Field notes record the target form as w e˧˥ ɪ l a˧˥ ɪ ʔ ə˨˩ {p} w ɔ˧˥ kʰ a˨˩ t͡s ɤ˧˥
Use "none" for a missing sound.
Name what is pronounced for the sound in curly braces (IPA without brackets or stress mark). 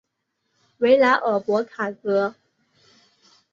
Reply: p